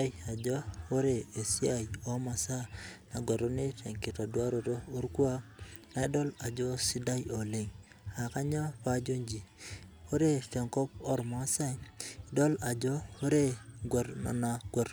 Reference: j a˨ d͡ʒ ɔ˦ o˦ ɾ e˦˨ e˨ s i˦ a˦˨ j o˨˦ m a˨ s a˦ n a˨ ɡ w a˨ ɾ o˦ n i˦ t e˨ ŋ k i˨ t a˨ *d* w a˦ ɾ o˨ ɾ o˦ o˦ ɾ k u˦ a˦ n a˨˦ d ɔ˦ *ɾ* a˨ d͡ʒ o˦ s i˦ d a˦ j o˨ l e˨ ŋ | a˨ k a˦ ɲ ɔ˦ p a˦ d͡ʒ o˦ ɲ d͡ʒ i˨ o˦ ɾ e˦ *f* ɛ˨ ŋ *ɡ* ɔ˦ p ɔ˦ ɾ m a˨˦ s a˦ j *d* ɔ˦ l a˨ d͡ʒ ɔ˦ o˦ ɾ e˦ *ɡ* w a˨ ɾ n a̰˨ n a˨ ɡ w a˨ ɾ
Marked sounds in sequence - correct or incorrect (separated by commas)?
correct, incorrect, correct, incorrect, correct, correct